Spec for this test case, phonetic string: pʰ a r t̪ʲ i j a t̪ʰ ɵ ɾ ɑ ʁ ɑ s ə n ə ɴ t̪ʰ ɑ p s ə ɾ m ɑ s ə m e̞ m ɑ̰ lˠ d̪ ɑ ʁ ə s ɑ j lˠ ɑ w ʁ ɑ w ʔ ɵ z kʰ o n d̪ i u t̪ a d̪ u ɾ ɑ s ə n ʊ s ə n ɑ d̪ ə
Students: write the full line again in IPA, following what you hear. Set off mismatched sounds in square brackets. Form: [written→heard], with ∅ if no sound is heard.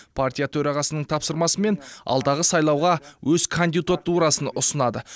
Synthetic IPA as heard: pʰ a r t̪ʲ i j a t̪ʰ ɵ ɾ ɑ ʁ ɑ s ə n ə ɴ t̪ʰ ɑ p s ə ɾ m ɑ s ə m e̞ [m→n] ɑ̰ lˠ d̪ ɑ ʁ ə s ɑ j lˠ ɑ w ʁ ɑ w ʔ ɵ z kʰ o n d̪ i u t̪ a [d̪→t̪] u ɾ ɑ s ə n ʊ s ə n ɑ d̪ ə